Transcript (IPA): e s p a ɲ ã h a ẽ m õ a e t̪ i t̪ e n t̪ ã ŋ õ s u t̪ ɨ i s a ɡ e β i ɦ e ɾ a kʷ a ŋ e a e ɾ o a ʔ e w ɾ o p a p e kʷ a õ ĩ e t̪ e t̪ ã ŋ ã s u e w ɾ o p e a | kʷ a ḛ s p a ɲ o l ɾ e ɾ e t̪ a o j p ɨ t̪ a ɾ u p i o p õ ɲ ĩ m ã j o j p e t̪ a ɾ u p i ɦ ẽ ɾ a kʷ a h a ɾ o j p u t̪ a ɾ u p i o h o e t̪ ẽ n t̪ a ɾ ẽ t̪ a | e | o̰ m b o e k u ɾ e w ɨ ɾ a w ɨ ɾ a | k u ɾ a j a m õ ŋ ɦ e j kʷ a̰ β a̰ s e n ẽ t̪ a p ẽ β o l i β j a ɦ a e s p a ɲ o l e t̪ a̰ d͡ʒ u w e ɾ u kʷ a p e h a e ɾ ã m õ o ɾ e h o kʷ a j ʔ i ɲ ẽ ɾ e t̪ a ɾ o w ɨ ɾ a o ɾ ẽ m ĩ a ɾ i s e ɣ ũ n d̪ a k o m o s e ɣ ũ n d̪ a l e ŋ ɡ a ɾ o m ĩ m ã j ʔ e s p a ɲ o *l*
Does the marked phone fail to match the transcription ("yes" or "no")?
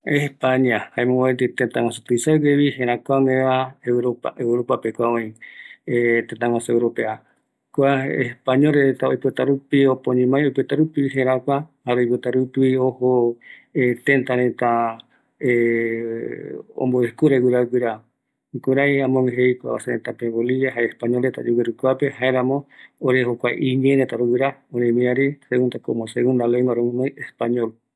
no